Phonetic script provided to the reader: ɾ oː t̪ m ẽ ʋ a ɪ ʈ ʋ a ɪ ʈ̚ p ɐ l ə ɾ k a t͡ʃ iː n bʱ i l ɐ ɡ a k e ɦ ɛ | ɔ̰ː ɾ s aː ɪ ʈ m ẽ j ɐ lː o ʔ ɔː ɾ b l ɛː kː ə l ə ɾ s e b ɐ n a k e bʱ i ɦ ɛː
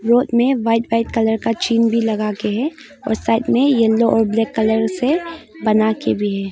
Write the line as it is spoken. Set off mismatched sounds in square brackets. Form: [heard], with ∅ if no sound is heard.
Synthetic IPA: ɾ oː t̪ m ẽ ʋ a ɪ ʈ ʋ a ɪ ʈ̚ [k] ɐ l ə ɾ k a t͡ʃ iː n bʱ i l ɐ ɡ a k e ɦ ɛ | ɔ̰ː ɾ s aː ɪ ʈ m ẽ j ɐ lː o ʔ ɔː ɾ b l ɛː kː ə l ə ɾ s e b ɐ n a k e bʱ i ɦ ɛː